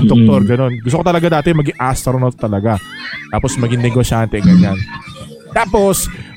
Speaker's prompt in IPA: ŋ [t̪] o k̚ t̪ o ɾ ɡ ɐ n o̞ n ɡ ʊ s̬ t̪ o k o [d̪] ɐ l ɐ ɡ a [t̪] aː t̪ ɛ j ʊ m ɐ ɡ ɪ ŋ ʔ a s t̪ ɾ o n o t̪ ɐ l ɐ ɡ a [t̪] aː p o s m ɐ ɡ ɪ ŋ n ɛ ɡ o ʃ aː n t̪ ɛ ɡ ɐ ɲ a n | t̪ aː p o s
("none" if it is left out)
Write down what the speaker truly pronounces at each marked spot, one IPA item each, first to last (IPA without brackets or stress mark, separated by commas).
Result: d̪, t̪, d̪, t̪